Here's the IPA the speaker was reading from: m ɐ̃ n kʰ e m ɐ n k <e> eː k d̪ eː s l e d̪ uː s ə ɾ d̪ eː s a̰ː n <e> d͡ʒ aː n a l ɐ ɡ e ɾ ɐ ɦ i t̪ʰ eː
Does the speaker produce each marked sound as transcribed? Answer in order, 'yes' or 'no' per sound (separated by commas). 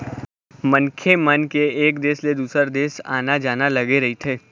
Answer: yes, no